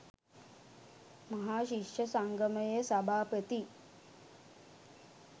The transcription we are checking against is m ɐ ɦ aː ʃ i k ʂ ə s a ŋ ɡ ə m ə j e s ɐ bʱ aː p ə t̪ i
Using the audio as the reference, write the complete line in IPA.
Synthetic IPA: m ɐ ɦ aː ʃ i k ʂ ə s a ŋ ɡ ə m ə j e s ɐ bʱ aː p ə t̪ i